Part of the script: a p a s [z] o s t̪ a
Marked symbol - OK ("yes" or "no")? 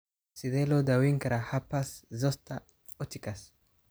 yes